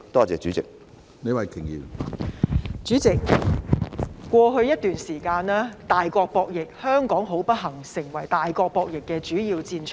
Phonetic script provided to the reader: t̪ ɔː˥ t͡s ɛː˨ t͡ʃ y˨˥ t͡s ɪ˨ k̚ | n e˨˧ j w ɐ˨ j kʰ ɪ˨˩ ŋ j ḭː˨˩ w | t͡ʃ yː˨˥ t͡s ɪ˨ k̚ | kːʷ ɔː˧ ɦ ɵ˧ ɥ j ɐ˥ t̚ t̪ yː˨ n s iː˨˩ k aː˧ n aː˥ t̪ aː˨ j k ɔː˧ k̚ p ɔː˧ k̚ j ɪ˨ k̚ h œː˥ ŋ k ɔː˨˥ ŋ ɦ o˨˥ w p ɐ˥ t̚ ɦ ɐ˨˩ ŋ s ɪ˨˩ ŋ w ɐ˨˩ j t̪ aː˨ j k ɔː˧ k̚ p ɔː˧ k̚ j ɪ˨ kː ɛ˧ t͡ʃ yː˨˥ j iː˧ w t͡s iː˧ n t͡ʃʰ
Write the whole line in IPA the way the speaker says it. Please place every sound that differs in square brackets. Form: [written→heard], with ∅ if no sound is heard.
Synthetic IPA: t̪ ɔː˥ t͡s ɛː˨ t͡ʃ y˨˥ t͡s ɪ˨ k̚ | n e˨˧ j w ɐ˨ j kʰ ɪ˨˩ ŋ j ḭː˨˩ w | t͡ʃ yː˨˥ t͡s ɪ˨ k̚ | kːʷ ɔː˧ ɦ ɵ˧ ɥ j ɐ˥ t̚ t̪ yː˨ n s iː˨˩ k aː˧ n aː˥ t̪ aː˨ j k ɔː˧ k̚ p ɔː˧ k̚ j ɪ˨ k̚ h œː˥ ŋ k ɔː˨˥ ŋ ɦ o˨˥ w p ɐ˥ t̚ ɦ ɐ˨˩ ŋ s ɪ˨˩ ŋ w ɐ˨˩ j t̪ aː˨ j k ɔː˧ k̚ p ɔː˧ k̚ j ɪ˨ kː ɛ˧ t͡ʃ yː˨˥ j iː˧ w t͡s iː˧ n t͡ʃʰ

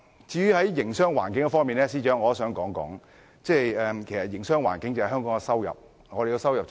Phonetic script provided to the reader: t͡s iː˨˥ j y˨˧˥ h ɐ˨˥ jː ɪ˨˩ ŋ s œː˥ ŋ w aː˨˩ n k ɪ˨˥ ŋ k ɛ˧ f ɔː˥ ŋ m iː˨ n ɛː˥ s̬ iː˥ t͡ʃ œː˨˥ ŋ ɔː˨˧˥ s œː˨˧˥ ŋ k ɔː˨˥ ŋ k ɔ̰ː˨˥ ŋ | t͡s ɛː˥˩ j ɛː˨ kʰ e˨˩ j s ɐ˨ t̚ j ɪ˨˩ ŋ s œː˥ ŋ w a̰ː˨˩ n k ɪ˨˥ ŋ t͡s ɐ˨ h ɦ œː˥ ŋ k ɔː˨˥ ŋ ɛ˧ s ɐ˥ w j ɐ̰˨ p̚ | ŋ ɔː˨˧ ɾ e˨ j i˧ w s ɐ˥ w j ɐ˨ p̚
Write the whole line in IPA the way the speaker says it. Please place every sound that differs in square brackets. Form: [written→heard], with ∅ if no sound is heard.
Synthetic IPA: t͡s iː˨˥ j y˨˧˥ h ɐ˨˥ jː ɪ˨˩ ŋ s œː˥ ŋ w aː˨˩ n k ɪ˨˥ ŋ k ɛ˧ f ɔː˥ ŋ m iː˨ n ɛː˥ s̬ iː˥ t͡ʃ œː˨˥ ŋ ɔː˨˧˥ s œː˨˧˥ ŋ k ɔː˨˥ ŋ k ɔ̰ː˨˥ ŋ | t͡s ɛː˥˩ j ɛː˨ kʰ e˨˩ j s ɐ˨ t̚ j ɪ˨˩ ŋ s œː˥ ŋ w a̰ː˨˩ n k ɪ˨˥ ŋ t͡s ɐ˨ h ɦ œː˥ ŋ k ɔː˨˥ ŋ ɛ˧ s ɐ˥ w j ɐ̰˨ p̚ | ŋ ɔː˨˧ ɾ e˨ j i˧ w s ɐ˥ w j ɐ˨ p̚

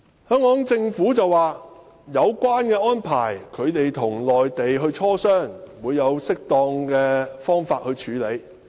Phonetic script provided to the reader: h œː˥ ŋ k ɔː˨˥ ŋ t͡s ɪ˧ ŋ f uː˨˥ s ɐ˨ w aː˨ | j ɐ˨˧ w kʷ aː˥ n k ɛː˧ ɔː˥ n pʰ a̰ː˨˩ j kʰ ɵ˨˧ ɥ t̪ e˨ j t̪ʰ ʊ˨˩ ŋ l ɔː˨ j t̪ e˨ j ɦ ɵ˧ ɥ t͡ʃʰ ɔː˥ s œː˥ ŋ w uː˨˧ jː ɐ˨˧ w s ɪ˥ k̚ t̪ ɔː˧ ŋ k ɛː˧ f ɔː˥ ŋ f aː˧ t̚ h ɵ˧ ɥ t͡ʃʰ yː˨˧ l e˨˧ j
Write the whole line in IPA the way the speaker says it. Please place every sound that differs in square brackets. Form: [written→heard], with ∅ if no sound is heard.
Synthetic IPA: h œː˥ ŋ k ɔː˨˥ ŋ t͡s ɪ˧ ŋ f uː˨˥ [s→t͡s] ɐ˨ w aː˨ | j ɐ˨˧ w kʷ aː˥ n k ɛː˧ ɔː˥ n pʰ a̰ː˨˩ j kʰ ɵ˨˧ ɥ t̪ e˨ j t̪ʰ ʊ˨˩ ŋ l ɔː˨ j t̪ e˨ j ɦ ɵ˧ ɥ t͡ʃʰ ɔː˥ s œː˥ ŋ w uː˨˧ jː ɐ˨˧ w s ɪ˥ k̚ t̪ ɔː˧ ŋ k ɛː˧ f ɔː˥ ŋ f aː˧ t̚ h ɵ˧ ɥ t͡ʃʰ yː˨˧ l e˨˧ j

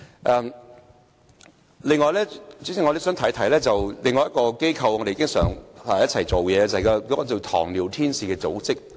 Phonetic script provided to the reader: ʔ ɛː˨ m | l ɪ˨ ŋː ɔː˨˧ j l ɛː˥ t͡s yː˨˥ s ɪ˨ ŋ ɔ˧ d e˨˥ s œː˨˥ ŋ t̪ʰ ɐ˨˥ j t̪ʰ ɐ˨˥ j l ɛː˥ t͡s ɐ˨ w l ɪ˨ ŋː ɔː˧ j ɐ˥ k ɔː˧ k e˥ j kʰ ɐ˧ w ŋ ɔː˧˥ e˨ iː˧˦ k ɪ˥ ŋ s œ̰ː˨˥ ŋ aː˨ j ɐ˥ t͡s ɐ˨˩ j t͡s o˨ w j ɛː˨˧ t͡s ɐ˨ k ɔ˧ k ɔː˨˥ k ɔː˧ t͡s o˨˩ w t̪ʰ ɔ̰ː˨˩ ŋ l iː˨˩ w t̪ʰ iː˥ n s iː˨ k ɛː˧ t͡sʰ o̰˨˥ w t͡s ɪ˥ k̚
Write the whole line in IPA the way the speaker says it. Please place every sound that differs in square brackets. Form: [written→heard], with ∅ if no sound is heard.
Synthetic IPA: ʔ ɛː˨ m | l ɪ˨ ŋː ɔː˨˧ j l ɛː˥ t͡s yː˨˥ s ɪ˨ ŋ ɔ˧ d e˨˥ s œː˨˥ ŋ t̪ʰ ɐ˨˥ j t̪ʰ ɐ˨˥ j l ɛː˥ t͡s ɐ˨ w l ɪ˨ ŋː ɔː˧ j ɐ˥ k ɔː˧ k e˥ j kʰ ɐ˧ w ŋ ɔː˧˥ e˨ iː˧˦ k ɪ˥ ŋ s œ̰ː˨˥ ŋ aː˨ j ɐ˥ [t͡s→t͡sʰ] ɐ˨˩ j t͡s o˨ w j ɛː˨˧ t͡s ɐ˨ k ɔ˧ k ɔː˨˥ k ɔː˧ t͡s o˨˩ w t̪ʰ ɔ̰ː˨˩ ŋ l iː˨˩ w t̪ʰ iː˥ n s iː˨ k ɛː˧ [t͡sʰ→t͡s] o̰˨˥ w t͡s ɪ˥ k̚

